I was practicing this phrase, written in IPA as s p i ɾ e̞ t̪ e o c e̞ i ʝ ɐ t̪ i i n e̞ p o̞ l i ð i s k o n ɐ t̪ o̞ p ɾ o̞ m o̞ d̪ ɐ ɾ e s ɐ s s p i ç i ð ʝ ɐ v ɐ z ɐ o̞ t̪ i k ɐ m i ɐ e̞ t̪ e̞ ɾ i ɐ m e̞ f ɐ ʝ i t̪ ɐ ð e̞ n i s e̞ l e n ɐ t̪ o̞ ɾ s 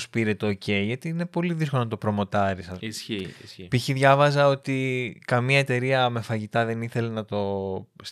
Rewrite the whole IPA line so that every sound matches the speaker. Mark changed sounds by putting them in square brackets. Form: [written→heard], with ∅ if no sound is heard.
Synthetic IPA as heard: s p i ɾ e̞ t̪ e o c e̞ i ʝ ɐ t̪ i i n e̞ p o̞ l i ð i s k o n ɐ t̪ o̞ p ɾ o̞ m o̞ [d̪→t̪] ɐ ɾ [e→i] s ɐ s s p i ç i ð ʝ ɐ v ɐ z ɐ o̞ t̪ i k ɐ m i ɐ e̞ t̪ e̞ ɾ i ɐ m e̞ f ɐ ʝ i t̪ ɐ ð e̞ n i [s→θ] e̞ l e n ɐ t̪ o̞ [ɾ→∅] s